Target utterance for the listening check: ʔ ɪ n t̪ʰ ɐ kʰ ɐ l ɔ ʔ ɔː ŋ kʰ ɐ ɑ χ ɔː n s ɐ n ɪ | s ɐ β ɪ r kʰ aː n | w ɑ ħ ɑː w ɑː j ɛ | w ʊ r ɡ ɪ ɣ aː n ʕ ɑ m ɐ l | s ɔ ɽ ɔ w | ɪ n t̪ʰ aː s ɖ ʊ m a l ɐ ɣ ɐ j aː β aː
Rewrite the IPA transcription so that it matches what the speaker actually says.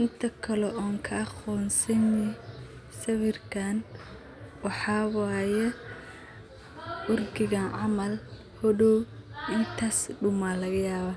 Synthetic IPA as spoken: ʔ ɪ n t̪ʰ ɐ kʰ ɐ l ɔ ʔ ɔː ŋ kʰ ɐ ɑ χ ɔː n s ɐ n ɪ | s ɐ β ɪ r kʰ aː n | w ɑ ħ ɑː w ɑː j ɛ | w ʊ r ɡ ɪ ɣ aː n ʕ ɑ m ɐ l | h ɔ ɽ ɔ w | ɪ n t̪ʰ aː s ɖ ʊ m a l ɐ ɣ ɐ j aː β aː